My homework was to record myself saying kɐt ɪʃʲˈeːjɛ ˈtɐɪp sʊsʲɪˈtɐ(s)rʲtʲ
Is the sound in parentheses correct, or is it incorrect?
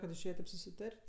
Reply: incorrect